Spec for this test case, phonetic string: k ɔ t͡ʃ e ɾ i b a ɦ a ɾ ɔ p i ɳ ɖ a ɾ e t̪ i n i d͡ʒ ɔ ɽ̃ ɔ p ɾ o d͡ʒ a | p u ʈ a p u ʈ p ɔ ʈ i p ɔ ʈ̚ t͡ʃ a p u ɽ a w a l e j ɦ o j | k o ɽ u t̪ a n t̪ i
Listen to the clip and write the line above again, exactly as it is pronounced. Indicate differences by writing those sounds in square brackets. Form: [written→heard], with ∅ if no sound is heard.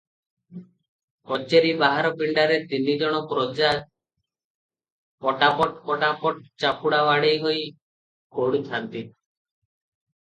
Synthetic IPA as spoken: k ɔ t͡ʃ e ɾ i b a ɦ a ɾ ɔ p i ɳ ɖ a ɾ e t̪ i n i d͡ʒ ɔ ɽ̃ ɔ p ɾ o d͡ʒ a | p [u→ɔ] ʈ a p [u→ɔ] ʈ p ɔ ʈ [i→a] p ɔ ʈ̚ t͡ʃ a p u ɽ a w a [l→ɽ] e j ɦ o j | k o ɽ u [t̪→t̪ʰ] a n t̪ i